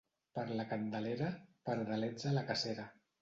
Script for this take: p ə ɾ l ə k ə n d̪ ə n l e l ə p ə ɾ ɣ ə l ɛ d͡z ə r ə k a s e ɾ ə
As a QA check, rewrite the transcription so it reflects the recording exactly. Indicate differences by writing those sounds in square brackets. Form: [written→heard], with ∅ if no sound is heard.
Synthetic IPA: p ə ɾ l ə k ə n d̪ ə [n→∅] l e [l→ɾ] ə p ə ɾ [ɣ→ð] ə l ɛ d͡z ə [r→l] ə k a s e ɾ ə